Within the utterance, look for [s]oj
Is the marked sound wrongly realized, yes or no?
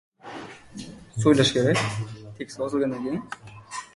no